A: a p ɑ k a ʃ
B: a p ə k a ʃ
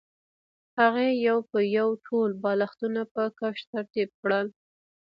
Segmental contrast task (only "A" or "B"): B